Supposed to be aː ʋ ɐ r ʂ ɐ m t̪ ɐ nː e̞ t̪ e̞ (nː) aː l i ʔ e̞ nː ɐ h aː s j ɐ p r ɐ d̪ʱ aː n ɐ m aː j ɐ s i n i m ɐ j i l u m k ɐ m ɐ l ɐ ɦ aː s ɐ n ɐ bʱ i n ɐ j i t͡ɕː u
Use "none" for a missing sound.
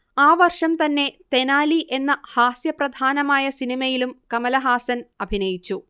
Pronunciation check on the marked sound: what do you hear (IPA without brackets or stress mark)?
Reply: n